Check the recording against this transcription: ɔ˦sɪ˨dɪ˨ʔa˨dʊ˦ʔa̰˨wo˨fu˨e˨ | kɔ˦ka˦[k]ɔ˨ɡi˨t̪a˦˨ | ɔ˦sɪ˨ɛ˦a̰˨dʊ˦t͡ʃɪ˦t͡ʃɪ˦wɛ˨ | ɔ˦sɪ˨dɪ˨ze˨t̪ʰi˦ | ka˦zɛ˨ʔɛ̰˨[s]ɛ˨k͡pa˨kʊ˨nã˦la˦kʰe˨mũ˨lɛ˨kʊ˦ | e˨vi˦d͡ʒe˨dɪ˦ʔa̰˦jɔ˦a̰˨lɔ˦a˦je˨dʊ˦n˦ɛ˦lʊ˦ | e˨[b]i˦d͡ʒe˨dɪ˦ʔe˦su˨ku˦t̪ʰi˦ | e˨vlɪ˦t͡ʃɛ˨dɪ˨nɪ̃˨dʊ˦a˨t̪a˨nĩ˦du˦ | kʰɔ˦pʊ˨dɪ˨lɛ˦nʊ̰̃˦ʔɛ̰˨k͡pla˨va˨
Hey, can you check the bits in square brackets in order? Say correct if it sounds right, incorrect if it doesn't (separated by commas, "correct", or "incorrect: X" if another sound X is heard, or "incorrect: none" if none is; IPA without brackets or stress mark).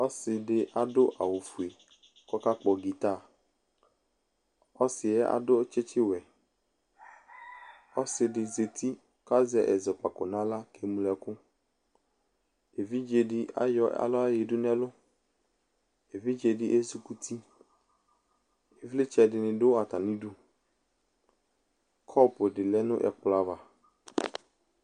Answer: incorrect: k͡p, incorrect: z, incorrect: v